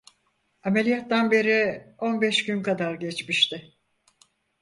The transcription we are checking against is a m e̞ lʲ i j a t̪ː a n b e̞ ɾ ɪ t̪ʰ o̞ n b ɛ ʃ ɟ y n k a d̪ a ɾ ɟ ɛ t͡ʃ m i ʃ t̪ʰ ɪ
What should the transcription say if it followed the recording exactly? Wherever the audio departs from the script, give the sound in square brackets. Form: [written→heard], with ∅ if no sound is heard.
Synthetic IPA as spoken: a m e̞ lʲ i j a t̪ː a n b e̞ ɾ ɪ [t̪ʰ→∅] o̞ n b ɛ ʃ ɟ y n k a d̪ a ɾ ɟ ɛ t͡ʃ m i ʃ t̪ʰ ɪ